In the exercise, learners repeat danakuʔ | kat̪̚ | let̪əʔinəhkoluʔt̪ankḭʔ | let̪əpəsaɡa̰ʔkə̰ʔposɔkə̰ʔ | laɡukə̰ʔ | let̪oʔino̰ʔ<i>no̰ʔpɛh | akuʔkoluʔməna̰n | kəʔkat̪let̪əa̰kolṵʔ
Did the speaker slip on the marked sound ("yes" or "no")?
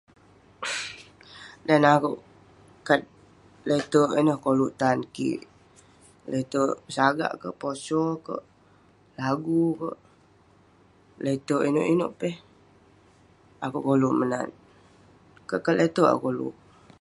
no